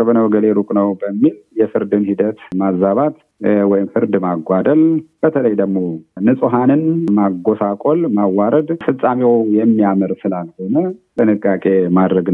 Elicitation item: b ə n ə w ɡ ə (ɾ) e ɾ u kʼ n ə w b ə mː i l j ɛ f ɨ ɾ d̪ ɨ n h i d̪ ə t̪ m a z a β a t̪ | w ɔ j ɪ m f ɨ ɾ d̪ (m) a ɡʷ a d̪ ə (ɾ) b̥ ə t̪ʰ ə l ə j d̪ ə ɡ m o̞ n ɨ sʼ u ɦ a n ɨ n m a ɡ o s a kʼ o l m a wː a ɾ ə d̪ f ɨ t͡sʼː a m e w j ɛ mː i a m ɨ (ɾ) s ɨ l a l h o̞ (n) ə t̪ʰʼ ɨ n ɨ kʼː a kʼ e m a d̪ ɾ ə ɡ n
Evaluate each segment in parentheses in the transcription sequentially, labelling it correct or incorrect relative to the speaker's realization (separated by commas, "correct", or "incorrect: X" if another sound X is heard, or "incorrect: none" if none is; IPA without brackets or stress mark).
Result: incorrect: l, correct, incorrect: l, correct, correct